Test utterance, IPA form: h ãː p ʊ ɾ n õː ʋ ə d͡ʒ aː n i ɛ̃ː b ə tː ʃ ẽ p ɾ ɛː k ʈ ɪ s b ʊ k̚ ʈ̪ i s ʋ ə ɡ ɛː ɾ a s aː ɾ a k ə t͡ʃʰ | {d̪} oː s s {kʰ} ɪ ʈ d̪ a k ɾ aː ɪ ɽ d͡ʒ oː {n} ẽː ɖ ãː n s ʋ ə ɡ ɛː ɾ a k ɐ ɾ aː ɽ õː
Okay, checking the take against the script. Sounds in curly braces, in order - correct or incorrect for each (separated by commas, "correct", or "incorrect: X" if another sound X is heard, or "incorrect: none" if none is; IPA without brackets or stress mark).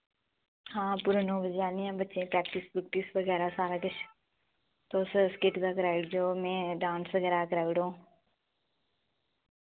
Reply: incorrect: t̪, incorrect: k, incorrect: m